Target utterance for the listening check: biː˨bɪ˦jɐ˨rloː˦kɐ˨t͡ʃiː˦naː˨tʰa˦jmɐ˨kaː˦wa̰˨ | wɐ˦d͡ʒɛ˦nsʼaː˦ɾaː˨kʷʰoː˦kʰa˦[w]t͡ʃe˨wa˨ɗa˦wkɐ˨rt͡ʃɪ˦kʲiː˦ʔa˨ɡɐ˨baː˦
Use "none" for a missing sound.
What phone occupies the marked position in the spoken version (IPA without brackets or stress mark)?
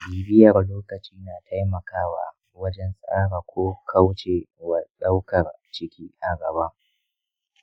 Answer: w